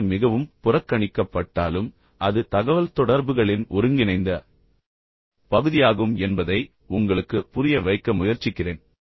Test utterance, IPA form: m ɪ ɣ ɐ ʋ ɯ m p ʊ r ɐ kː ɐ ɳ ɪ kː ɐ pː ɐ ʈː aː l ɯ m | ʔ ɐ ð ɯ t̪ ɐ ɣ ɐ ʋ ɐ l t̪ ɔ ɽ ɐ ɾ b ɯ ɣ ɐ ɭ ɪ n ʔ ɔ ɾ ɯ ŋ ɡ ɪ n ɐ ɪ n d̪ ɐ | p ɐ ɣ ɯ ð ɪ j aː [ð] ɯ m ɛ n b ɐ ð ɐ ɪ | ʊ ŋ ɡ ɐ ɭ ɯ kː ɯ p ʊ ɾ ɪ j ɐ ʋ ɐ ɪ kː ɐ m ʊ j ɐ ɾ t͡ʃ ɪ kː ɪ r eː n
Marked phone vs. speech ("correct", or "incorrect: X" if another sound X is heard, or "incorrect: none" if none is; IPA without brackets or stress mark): incorrect: ɣ